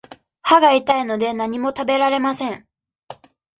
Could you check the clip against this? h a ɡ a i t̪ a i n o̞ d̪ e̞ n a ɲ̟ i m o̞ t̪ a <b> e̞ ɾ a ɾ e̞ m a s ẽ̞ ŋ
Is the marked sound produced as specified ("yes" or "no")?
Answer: yes